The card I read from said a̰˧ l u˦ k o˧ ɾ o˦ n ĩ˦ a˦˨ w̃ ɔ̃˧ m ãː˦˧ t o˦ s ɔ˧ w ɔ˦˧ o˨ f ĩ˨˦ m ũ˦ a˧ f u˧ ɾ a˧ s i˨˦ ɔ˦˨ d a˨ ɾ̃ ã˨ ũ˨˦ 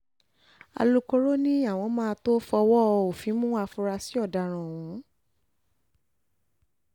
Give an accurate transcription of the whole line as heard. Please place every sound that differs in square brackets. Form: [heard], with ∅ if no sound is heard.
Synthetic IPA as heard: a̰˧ l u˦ k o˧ ɾ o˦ n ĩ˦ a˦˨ w̃ ɔ̃˧ m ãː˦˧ t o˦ [f] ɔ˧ w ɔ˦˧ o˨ f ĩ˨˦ m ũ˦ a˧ f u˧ ɾ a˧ s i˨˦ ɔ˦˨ d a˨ ɾ̃ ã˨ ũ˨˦